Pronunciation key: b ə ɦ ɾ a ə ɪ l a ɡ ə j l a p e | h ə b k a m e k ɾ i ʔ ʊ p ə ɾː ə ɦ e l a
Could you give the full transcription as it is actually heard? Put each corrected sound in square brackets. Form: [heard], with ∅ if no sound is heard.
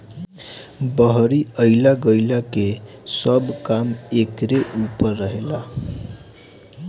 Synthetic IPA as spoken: b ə ɦ ɾ [i] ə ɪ l a ɡ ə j l a [k] e | [s] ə b k a m e k ɾ [e] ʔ [u] p ə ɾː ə ɦ e l a